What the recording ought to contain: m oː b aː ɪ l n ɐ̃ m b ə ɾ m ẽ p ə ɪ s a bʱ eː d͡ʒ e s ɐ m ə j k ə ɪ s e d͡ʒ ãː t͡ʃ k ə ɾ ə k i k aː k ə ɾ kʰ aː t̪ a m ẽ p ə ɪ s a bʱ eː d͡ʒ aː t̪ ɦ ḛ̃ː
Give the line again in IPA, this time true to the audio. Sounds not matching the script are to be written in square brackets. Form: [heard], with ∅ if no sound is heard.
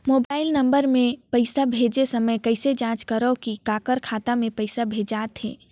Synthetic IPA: m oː b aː ɪ l n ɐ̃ m b ə ɾ m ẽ p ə ɪ s a bʱ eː d͡ʒ e s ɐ m ə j k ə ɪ s e d͡ʒ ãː t͡ʃ k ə ɾ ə k i k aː k ə ɾ kʰ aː t̪ a m ẽ p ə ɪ s a bʱ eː d͡ʒ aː t̪ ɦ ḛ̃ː